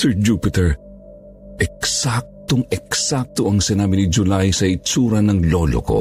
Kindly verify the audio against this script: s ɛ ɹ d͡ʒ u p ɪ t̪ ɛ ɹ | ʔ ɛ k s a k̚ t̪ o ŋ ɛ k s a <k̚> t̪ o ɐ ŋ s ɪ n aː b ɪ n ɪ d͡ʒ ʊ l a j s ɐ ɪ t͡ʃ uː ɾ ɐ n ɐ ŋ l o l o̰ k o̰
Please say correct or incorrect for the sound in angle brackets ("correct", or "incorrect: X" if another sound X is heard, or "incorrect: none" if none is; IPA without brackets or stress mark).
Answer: correct